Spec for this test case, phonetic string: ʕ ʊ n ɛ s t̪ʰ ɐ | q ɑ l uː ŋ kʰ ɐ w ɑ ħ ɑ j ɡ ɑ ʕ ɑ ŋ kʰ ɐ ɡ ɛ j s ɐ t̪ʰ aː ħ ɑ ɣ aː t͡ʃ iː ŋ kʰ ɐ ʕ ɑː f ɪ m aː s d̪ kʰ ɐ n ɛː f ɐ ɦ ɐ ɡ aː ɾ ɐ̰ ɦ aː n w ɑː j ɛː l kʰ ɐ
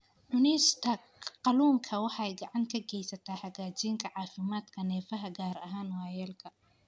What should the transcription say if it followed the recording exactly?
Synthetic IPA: ʕ ʊ n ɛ s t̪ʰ ɐ | q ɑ l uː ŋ kʰ ɐ w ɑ ħ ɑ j ɡ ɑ ʕ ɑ ŋ kʰ ɐ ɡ ɛ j s ɐ t̪ʰ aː ħ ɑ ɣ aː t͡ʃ iː ŋ kʰ ɐ ʕ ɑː f ɪ m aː d̪ kʰ ɐ n ɛː f ɐ ɦ ɐ ɡ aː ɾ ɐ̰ ɦ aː n w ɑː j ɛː l kʰ ɐ